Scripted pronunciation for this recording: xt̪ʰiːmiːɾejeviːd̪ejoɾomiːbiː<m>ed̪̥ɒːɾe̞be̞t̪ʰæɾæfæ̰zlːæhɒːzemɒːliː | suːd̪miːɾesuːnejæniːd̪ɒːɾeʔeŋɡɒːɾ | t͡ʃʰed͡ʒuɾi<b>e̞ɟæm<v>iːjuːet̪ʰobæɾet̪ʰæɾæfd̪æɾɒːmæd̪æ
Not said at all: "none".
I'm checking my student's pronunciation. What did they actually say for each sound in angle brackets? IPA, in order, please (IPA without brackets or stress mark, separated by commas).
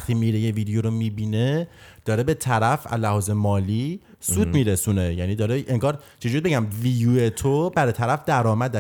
n, b, v